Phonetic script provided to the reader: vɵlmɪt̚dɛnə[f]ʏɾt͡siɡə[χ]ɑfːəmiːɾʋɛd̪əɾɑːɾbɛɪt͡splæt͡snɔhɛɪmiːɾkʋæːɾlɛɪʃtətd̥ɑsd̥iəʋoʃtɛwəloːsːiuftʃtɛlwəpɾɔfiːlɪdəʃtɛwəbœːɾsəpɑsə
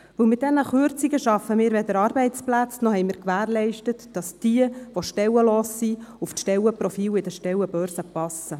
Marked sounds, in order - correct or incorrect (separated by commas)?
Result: incorrect, incorrect